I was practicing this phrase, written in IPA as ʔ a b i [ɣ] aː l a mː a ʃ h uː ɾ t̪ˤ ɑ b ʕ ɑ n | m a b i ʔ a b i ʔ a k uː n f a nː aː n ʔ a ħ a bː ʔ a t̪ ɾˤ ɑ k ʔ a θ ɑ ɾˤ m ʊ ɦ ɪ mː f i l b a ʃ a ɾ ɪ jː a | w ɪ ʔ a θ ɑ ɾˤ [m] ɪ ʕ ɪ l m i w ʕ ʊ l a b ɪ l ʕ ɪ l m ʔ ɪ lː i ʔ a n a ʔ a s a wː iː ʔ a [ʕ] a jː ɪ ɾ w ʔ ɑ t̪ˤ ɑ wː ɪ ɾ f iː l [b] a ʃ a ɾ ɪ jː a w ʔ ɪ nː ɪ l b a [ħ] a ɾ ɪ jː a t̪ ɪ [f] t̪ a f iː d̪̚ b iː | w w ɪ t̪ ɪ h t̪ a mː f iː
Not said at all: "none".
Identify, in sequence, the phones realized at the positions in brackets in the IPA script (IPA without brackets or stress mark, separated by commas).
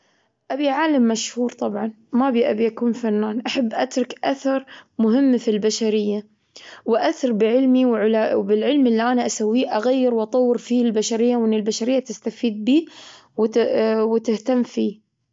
ʕ, b, ɣ, b, ʃ, s